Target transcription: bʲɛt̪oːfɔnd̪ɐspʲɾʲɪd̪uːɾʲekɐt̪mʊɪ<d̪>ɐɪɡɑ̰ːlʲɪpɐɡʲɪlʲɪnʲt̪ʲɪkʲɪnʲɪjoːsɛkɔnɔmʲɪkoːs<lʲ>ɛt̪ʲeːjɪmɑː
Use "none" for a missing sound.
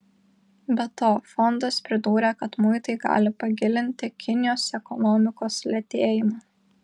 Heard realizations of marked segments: t̪, lʲ

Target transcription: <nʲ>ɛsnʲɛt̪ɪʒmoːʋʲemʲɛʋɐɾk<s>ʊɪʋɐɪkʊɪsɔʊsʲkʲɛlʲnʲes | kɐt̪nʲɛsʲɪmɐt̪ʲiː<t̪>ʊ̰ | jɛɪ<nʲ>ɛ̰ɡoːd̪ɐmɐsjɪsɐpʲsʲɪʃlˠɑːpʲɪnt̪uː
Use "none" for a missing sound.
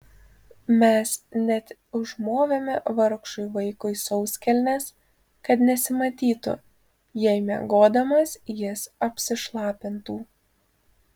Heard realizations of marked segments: mʲ, ʃ, t̪, mʲ

